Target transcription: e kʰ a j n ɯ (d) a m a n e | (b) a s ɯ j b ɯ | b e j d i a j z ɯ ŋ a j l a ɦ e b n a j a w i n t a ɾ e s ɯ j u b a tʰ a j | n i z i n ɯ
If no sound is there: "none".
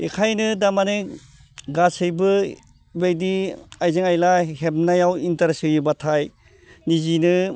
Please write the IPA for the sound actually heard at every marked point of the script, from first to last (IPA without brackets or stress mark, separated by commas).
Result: d, ɡ